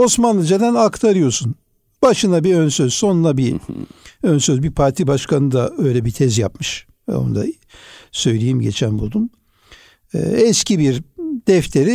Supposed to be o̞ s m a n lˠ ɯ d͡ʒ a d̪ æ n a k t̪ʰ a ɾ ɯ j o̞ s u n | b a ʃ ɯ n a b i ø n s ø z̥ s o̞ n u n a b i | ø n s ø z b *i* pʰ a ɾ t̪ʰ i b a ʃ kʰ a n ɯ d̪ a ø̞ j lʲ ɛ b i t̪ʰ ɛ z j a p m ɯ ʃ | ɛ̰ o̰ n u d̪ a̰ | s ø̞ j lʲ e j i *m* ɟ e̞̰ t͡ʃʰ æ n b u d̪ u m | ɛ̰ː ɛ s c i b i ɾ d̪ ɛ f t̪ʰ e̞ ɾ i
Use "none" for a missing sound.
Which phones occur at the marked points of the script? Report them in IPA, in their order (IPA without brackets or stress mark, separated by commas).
i, m